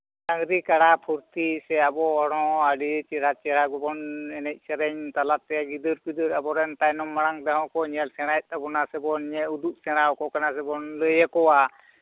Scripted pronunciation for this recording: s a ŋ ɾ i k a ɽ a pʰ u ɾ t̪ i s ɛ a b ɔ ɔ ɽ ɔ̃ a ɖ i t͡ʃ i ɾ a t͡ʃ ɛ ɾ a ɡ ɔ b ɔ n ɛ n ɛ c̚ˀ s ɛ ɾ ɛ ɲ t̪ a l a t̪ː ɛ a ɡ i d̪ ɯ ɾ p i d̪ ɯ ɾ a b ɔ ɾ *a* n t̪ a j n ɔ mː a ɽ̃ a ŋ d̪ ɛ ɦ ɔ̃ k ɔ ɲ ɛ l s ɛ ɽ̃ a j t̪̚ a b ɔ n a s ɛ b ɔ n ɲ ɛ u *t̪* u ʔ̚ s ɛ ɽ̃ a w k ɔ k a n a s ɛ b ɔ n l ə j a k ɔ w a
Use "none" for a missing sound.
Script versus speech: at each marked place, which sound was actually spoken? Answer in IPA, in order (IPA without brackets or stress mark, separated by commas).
ɛ, d̪